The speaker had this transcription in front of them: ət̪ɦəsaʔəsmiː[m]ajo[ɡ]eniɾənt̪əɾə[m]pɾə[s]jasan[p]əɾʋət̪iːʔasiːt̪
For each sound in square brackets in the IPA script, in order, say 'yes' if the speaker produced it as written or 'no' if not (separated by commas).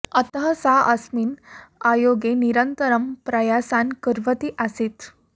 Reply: no, yes, yes, no, no